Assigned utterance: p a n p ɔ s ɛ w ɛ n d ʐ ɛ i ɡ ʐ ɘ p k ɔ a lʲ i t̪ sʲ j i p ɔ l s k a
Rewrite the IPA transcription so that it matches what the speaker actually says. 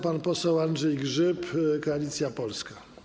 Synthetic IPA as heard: p a n p ɔ s ɛ w a n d ʐ ɛ j ɡ ʐ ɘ p k ɔ a lʲ i t̪ sʲ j a p ɔ l s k a